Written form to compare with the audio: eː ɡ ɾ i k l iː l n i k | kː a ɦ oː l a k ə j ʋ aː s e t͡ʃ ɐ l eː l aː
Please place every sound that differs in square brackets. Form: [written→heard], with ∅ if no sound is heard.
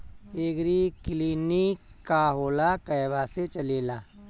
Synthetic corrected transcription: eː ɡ ɾ i k l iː [l→∅] n i k | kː a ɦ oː l a k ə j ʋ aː s e t͡ʃ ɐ l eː l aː